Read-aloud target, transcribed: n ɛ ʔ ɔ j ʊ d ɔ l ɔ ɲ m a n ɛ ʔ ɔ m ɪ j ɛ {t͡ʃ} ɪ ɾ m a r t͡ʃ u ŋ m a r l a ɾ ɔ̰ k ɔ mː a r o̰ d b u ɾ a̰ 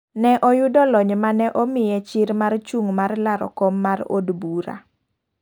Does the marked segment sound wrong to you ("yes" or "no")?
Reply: no